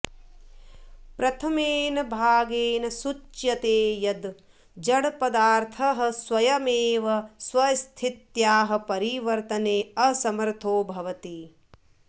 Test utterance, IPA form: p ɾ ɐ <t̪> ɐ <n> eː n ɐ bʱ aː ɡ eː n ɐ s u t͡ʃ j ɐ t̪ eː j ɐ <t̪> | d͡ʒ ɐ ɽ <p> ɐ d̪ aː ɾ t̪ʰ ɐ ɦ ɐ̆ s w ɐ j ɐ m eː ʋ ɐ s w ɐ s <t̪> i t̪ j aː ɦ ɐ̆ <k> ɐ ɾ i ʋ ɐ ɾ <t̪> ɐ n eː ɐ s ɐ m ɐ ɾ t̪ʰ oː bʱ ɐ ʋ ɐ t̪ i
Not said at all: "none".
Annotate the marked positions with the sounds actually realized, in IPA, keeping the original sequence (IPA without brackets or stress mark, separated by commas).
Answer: t̪ʰ, m, d̪, p, t̪ʰ, p, t̪